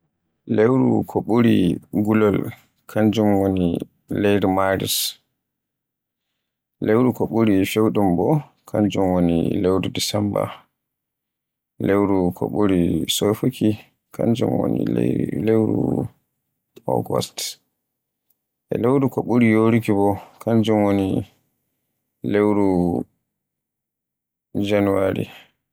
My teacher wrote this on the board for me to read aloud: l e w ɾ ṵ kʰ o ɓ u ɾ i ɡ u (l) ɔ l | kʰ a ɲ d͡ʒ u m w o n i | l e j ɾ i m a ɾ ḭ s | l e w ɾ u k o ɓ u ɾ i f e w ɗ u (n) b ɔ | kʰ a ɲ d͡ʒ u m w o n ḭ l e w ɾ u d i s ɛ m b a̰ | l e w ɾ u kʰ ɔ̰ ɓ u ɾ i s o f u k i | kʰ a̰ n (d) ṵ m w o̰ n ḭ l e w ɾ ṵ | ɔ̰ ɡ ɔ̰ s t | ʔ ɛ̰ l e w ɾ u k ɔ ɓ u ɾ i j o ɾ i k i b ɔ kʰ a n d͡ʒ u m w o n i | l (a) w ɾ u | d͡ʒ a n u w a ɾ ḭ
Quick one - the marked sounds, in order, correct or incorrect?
correct, incorrect, incorrect, incorrect

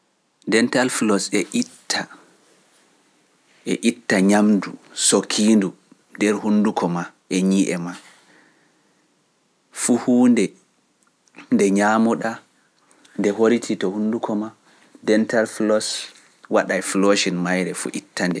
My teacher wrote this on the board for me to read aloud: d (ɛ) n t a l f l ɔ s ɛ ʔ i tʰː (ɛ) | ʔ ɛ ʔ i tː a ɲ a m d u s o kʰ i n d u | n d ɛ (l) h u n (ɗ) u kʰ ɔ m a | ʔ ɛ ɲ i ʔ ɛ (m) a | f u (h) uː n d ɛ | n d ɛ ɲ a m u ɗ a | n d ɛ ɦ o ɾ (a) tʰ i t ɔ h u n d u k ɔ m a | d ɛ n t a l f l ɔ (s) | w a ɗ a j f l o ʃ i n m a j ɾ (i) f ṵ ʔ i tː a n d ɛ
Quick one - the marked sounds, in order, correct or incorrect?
correct, incorrect, incorrect, incorrect, correct, correct, incorrect, correct, incorrect

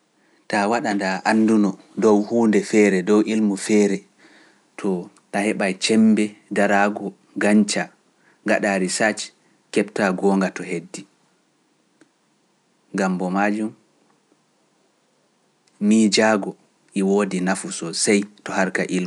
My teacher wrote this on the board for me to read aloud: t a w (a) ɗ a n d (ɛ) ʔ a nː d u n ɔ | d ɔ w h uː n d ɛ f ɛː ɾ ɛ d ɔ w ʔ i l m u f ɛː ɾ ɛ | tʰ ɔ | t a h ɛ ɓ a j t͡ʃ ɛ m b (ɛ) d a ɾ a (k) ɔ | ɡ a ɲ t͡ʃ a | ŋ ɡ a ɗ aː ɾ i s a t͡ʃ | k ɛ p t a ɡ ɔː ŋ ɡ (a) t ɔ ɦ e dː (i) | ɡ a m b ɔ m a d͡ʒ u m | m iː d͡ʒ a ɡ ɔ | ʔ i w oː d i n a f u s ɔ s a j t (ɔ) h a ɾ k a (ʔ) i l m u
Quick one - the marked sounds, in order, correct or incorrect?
correct, incorrect, correct, incorrect, correct, correct, correct, correct

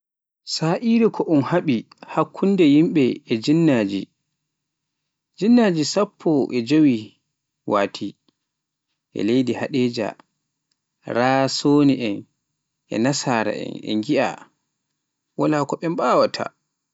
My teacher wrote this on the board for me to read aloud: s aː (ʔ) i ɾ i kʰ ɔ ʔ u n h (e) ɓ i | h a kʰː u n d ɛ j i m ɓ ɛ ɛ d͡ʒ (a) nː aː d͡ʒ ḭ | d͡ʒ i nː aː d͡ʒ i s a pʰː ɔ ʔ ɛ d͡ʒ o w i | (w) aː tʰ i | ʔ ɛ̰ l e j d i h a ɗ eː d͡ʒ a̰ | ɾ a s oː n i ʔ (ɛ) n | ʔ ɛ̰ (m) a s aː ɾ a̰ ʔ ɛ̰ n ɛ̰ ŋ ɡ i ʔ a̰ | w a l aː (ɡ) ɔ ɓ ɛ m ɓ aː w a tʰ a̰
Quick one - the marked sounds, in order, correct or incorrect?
correct, incorrect, incorrect, correct, correct, incorrect, incorrect

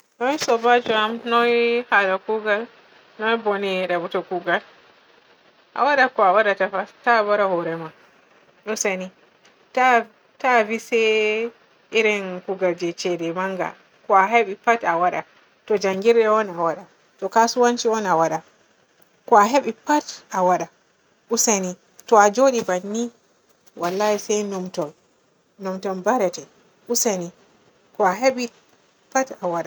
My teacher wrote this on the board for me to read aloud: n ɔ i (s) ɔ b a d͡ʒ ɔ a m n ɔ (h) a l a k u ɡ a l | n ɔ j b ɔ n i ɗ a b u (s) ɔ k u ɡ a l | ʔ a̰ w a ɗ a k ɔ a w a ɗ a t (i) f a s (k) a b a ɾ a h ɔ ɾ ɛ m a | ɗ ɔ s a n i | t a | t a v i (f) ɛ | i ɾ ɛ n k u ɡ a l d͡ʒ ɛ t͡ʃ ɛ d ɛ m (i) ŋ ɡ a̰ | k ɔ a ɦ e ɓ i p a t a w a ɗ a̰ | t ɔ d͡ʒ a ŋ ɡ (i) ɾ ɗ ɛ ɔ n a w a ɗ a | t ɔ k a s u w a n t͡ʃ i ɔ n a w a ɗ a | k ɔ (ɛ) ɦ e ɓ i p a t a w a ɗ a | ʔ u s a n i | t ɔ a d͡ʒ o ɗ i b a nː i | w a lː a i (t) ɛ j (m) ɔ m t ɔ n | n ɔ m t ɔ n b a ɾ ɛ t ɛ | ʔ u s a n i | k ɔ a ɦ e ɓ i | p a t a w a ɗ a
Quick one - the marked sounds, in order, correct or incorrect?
correct, correct, incorrect, incorrect, incorrect, incorrect, incorrect, correct, incorrect, incorrect, incorrect

